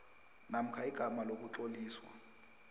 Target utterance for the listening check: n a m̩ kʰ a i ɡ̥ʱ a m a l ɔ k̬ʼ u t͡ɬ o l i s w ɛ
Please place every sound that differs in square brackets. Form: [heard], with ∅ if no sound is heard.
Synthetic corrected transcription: n a m̩ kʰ a i ɡ̥ʱ a m a l [o] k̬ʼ u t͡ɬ o l [iː] s w [a]